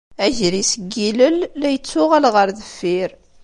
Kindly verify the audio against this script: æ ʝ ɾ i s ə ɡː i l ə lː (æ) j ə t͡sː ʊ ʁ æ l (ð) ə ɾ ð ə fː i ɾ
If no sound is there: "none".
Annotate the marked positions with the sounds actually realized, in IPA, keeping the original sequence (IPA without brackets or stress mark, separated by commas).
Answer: æ, ʁ